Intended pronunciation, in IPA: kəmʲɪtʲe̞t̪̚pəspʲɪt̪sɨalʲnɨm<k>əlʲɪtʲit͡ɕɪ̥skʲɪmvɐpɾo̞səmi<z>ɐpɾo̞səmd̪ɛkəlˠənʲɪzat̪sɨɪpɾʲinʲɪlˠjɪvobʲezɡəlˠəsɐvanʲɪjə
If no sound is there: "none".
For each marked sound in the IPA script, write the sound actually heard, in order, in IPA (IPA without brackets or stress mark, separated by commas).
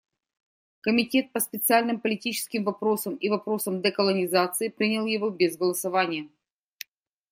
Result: p, v